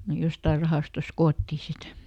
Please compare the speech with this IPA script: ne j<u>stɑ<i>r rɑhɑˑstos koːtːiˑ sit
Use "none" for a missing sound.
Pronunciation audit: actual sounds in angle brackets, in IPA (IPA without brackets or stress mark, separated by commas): o, i